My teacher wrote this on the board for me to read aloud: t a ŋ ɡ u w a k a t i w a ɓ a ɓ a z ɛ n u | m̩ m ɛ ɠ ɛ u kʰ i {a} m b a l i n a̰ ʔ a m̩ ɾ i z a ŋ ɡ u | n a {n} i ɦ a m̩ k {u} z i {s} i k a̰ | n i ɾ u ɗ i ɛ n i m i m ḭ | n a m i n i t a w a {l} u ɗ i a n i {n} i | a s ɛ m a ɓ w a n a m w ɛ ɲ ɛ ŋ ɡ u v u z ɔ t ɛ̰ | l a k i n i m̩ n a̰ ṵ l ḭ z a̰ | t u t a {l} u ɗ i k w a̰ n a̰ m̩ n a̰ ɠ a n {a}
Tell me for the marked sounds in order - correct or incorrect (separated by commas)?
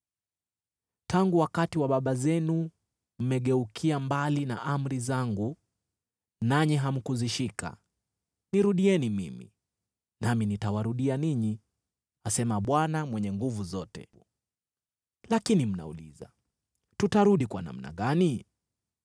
correct, incorrect, correct, incorrect, incorrect, incorrect, incorrect, incorrect